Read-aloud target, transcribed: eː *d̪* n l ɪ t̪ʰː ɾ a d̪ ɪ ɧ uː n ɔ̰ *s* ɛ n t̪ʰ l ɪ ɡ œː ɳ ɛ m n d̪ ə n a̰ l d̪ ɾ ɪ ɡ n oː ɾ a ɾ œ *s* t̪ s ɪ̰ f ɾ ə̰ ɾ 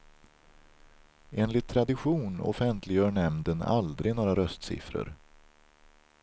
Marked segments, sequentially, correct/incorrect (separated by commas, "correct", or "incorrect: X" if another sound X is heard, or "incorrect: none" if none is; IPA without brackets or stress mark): incorrect: none, incorrect: f, correct